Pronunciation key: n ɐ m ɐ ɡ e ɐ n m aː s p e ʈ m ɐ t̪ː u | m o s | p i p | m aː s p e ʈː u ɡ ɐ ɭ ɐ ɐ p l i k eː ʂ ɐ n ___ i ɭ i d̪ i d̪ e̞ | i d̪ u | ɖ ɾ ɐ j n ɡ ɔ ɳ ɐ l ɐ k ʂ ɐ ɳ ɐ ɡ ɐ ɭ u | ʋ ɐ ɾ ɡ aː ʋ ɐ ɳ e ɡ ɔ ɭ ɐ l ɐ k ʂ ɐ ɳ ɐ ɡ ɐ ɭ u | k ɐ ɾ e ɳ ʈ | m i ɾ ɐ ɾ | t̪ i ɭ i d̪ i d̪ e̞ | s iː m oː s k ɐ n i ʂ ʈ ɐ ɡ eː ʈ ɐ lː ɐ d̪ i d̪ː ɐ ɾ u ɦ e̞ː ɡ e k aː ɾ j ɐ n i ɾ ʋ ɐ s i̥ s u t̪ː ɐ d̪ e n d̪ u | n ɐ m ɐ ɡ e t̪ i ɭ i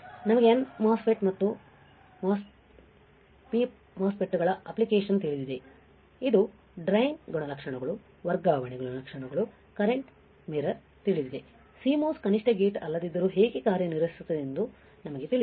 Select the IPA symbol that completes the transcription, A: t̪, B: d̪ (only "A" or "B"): A